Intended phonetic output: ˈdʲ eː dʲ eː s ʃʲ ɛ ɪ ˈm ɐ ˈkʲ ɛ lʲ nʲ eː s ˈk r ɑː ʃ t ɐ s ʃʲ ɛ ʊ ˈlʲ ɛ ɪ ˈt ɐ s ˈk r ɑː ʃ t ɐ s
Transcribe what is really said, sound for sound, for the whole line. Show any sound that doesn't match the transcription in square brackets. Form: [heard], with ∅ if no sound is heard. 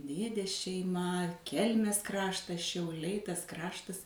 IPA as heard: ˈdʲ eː dʲ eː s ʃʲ ɛ ɪ ˈm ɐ ˈkʲ ɛ lʲ [mʲ] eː s ˈk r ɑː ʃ t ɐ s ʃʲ ɛ ʊ ˈlʲ ɛ ɪ ˈt ɐ s ˈk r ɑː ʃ t ɐ s